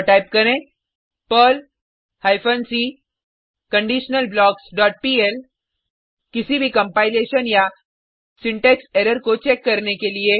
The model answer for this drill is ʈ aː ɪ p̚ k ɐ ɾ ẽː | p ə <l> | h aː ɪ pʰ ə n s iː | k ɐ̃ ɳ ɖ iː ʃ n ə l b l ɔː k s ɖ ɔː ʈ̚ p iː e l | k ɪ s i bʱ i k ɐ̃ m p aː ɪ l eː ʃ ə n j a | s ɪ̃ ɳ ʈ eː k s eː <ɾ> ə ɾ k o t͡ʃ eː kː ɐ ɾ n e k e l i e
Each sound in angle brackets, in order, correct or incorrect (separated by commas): correct, correct